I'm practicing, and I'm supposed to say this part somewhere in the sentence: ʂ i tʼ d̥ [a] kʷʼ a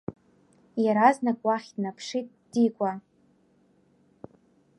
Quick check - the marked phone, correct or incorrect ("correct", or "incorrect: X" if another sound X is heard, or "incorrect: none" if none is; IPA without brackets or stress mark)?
incorrect: i